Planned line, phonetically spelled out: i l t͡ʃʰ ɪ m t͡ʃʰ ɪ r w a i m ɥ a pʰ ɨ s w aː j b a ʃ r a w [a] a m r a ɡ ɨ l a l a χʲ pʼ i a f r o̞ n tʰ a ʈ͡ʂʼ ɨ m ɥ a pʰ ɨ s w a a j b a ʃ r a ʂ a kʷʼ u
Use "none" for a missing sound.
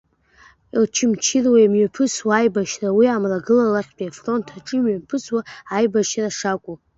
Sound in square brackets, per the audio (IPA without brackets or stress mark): i